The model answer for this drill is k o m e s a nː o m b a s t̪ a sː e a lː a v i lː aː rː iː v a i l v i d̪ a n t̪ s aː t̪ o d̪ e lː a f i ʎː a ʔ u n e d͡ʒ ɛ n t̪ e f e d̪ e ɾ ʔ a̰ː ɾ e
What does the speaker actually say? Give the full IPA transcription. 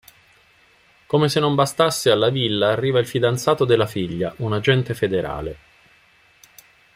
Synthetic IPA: k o m e s e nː o m b a s t̪ a sː e a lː a v i lː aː rː iː v a i l f i d̪ a n t̪ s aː t̪ o d̪ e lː a f i ʎː a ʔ u n a d͡ʒ ɛ n t̪ e f e d̪ e ɾ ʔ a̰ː l e

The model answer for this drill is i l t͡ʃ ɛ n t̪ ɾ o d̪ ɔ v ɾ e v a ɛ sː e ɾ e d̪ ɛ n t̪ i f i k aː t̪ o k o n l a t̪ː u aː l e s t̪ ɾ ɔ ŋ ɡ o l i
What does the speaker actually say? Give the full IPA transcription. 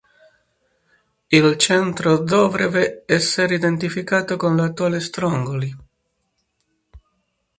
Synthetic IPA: i l t͡ʃ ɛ n t̪ ɾ o d̪ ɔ v ɾ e v e ɛ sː e ɾ i d̪ e n t̪ i f i k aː t̪ o k o n l a t̪ː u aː l e s t̪ ɾ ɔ ŋ ɡ o l i

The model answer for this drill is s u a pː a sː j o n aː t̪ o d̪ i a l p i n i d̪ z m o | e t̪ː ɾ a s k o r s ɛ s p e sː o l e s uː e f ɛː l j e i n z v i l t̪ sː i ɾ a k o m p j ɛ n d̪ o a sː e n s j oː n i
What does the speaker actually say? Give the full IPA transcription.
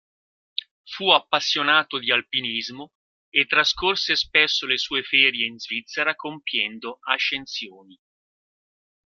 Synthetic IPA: f u a pː a sː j o n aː t̪ o d̪ i a l p i n i z m o | e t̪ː ɾ a s k o r s e s p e sː o l e s uː e f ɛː ɾ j e i n z v i t̪ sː e ɾ a k o m p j ɛ n d̪ o a ʃː e n s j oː n i

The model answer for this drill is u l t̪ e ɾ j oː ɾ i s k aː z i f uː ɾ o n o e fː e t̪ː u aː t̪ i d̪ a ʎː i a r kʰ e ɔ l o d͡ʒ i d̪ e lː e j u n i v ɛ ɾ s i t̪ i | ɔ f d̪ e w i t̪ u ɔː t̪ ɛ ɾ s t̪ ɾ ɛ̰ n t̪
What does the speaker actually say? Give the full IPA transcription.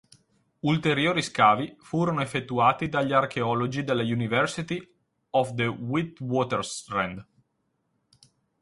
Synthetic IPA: u l t̪ e ɾ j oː ɾ i s k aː v i f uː ɾ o n o e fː e t̪ː u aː t̪ i d̪ a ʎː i a r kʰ e ɔ l o d͡ʒ i d̪ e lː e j u n i v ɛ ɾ s i t̪ i | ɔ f d̪ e w i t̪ w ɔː t̪ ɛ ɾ s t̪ ɾ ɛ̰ n d̪

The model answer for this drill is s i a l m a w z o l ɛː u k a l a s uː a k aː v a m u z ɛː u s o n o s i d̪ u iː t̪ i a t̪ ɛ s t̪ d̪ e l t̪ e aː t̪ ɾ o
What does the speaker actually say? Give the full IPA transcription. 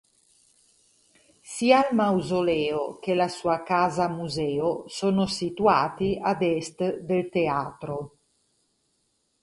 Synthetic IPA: s i a l m a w z o l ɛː o k e l a s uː a k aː z a m u z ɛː o s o n o s i t̪ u aː t̪ i a d̪ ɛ s t̪ d̪ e l t̪ e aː t̪ ɾ o

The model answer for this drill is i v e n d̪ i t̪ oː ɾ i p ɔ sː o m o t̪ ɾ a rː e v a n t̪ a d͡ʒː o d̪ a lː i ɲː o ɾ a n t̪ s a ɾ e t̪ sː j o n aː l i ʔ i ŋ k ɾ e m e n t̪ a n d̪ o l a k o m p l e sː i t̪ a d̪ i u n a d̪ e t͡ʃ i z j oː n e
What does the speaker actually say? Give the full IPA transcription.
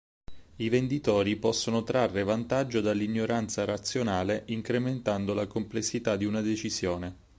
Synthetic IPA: i v e n d̪ i t̪ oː ɾ i p ɔ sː o n o t̪ ɾ a rː e v a n t̪ a d͡ʒː o d̪ a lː i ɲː o ɾ a n t̪ s a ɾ a t̪ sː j o n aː l e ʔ i ŋ k ɾ e m e n t̪ a n d̪ o l a k o m p l e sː i t̪ a d̪ i u n a d̪ e t͡ʃ i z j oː n e

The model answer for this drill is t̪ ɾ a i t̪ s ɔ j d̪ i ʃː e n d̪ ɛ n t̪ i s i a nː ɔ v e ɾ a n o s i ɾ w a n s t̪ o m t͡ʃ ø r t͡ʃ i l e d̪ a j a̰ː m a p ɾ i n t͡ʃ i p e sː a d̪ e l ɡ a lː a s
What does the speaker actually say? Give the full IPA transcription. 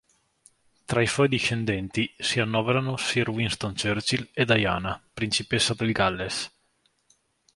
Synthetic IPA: t̪ ɾ a i s ɔ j d̪ i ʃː e n d̪ ɛ n t̪ i s i a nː ɔ v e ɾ a n o s i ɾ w i n s t̪ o n t͡ʃ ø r t͡ʃ i l e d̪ a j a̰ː n a p ɾ i n t͡ʃ i p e sː a d̪ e l ɡ a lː e s

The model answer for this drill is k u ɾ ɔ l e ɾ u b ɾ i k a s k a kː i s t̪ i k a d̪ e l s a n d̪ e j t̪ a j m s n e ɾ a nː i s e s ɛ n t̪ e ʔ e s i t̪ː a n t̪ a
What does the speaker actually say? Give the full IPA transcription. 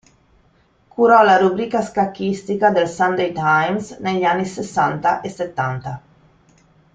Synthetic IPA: k u ɾ ɔ l a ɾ u b ɾ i k a s k a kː i s t̪ i k a d̪ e l s a n d̪ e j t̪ a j m s n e ʎ a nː i s e s a n t̪ a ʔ e s e t̪ː a n t̪ a

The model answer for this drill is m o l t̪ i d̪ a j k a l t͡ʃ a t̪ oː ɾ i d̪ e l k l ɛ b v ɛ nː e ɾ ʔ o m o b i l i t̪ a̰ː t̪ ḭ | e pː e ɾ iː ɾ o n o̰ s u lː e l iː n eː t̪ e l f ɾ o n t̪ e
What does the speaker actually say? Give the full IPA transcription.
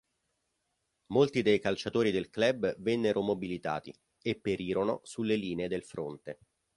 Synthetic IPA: m o l t̪ i d̪ e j k a l t͡ʃ a t̪ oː ɾ i d̪ e l k l ɛ b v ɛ nː e ɾ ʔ o m o b i l i t̪ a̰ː t̪ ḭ | e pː e ɾ iː ɾ o n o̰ s u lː e l iː n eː d̪ e l f ɾ o n t̪ e

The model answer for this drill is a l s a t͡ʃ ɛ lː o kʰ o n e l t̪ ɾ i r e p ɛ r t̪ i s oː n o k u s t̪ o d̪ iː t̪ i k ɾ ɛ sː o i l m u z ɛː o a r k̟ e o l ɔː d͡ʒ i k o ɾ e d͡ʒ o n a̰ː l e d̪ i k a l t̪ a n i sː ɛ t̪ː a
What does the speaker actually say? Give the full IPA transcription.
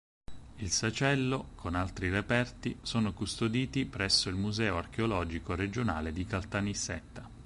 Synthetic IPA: i l s a t͡ʃ ɛ lː o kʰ o n a l t̪ ɾ i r e p ɛ r t̪ i s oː n o k u s t̪ o d̪ iː t̪ i p ɾ ɛ sː o i l m u z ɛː o a r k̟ e o l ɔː d͡ʒ i k o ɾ e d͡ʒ o n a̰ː l e d̪ i k a l t̪ a n i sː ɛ t̪ː a

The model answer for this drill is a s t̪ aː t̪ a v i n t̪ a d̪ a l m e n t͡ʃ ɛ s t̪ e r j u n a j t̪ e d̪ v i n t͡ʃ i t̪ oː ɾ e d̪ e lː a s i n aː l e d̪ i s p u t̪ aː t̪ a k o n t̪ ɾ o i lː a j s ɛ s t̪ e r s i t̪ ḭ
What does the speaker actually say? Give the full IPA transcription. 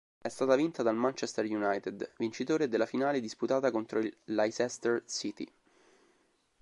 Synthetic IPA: ɛ s t̪ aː t̪ a v i n t̪ a d̪ a l m a n t͡ʃ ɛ s t̪ e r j u n a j t̪ e d̪ v i n t͡ʃ i t̪ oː ɾ e d̪ e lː a f i n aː l e d̪ i s p u t̪ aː t̪ a k o n t̪ ɾ o i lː a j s ɛ s t̪ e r s i t̪ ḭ

